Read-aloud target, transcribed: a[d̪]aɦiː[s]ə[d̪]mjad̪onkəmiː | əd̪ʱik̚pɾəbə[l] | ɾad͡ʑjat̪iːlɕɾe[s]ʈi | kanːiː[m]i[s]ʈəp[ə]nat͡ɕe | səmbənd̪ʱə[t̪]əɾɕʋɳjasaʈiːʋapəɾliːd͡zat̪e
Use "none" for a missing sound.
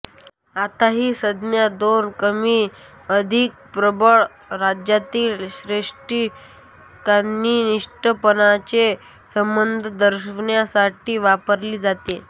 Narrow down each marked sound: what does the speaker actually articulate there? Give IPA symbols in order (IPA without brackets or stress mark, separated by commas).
t̪, s, d̪, ɭ, ʂ, n, ʂ, ə, d̪